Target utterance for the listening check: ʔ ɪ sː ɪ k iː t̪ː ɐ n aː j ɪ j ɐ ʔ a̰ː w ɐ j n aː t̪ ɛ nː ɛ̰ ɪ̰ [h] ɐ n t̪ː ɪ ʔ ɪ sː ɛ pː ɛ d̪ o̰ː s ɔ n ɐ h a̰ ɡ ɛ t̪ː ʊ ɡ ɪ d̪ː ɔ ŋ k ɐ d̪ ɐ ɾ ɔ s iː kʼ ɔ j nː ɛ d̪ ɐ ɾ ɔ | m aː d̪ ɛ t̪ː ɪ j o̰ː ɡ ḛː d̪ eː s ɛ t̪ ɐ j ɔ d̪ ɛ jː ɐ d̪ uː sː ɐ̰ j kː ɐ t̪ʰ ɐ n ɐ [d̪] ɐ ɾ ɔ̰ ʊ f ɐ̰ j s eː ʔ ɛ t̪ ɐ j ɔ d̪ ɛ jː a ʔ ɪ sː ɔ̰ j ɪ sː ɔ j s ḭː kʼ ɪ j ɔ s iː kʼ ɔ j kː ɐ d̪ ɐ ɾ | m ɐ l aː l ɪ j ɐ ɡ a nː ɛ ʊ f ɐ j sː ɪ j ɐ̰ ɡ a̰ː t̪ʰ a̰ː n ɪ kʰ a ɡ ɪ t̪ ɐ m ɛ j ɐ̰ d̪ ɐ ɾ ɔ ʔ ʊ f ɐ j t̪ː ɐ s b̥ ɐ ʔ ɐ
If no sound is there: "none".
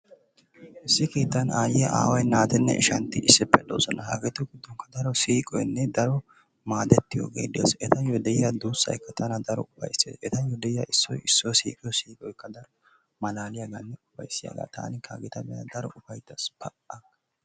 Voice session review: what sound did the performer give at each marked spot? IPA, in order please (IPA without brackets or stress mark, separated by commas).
ʃ, d̪